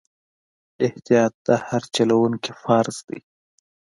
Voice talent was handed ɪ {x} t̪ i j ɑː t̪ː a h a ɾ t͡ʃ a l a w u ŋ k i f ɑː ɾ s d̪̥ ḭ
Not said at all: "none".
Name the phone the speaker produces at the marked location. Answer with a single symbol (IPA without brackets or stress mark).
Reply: h